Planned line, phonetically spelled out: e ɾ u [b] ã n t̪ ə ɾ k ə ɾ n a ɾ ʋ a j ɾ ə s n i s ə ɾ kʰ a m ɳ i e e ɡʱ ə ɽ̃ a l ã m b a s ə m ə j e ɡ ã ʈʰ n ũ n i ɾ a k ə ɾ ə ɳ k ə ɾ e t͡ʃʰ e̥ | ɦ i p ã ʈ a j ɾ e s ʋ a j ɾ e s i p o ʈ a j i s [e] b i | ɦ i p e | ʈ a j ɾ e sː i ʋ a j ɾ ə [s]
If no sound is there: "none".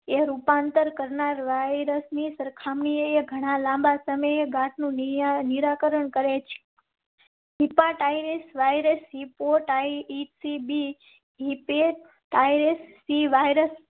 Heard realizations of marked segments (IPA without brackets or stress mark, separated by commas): p, i, s